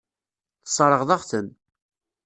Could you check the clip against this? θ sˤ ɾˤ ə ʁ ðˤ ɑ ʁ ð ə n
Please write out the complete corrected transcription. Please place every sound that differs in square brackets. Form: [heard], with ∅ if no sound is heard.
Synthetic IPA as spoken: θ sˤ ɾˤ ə ʁ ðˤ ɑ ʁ [θ] ə n